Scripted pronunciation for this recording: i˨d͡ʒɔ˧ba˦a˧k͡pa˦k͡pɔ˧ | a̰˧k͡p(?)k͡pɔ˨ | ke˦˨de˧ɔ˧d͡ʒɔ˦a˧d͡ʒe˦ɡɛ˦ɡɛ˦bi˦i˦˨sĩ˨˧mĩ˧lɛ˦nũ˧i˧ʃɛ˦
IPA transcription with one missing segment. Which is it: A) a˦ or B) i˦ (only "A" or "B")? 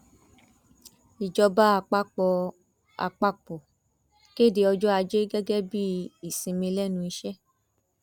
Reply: A